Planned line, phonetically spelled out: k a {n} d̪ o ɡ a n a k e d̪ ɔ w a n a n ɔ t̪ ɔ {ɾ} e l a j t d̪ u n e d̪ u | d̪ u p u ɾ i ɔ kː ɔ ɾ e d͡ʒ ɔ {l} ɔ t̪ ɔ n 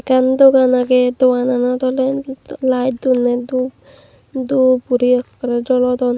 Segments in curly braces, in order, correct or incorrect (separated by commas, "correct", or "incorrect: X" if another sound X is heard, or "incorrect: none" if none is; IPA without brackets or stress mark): correct, incorrect: l, correct